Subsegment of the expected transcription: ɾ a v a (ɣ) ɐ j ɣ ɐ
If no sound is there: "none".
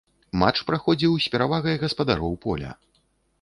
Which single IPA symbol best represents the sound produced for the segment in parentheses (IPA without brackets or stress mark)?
ɣ